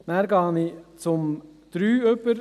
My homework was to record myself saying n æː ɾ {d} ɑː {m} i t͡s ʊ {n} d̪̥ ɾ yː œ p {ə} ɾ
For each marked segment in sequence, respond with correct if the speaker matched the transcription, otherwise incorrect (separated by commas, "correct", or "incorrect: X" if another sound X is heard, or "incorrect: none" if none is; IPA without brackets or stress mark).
incorrect: ɡ, incorrect: n, incorrect: m, correct